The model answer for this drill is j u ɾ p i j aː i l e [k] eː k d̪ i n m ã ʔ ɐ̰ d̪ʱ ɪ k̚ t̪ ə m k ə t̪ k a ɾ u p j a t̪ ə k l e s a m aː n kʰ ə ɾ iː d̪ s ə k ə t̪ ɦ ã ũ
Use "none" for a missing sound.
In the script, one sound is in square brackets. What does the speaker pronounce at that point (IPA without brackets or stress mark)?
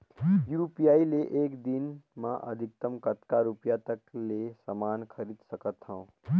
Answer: ʔ